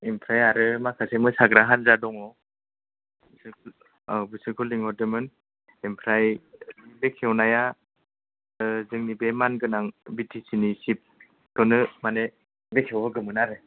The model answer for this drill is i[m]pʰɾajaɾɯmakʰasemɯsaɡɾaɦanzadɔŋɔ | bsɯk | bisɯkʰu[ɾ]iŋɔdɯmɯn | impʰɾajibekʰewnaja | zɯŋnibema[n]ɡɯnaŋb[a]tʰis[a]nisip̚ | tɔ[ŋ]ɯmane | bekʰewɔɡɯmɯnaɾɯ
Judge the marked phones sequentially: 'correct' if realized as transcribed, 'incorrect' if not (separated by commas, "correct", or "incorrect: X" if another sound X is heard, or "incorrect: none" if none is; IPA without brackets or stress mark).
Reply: correct, incorrect: l, correct, incorrect: i, incorrect: i, incorrect: n